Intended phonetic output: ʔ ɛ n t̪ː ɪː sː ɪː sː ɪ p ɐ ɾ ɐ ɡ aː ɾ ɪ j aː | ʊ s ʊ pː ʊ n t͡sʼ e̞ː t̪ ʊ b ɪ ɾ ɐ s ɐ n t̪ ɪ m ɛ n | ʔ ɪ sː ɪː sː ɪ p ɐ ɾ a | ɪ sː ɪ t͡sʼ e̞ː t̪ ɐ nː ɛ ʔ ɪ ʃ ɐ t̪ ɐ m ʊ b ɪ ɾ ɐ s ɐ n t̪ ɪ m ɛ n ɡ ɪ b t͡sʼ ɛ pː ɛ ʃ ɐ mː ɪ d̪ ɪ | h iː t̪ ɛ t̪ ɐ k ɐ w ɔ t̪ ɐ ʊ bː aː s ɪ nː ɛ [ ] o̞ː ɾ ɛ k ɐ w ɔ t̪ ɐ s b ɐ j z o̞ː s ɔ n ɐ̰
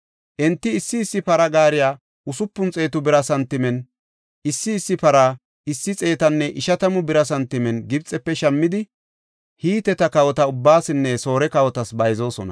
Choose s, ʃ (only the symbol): s